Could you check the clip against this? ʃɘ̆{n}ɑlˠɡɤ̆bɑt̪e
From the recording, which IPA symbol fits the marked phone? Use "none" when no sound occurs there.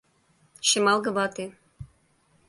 m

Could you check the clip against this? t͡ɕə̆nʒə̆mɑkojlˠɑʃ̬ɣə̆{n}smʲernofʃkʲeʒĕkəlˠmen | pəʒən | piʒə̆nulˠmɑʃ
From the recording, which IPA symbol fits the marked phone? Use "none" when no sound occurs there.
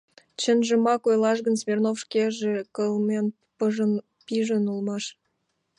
n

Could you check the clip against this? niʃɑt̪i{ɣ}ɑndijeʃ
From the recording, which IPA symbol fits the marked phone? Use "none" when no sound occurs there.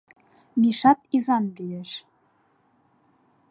z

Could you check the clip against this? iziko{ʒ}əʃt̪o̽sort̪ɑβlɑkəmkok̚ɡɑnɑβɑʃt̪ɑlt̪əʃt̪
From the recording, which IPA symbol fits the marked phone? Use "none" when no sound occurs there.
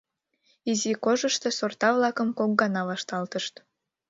ʒ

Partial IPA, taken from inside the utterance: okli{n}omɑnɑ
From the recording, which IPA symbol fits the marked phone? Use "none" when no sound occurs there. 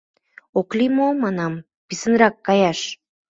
m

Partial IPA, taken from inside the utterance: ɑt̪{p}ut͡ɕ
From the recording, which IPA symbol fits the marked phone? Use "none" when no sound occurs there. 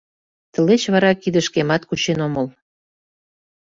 k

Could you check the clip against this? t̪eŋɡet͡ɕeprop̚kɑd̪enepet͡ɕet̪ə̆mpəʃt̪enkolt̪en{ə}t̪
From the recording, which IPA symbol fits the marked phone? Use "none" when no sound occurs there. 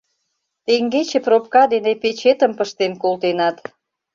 ɑ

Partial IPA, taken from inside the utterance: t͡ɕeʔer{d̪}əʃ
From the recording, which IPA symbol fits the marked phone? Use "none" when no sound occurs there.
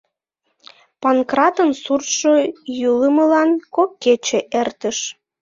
t̪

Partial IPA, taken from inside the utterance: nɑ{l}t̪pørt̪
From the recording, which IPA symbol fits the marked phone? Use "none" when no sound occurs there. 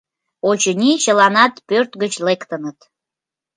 none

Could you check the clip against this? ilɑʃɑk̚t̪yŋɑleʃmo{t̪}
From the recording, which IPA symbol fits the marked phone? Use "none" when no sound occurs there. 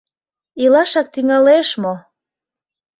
none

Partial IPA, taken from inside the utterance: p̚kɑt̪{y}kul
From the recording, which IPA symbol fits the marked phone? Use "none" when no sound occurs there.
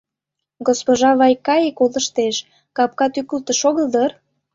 y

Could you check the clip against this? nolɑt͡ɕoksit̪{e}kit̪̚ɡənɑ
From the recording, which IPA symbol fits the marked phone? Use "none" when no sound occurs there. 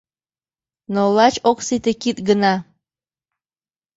e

